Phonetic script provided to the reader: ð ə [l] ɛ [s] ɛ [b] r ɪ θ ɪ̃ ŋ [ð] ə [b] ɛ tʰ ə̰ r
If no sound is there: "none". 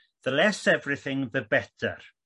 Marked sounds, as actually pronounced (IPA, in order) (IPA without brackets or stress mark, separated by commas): l, s, v, ð, b